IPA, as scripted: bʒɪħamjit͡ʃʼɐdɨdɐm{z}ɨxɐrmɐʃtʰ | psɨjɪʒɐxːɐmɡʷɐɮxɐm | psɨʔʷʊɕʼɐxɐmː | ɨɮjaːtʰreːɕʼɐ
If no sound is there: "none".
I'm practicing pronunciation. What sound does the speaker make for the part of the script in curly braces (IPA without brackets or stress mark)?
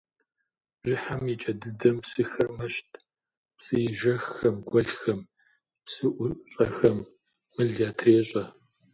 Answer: s